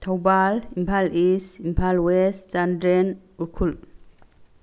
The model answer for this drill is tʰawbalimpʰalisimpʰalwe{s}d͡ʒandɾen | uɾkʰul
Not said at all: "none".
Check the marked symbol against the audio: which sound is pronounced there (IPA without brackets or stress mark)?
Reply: s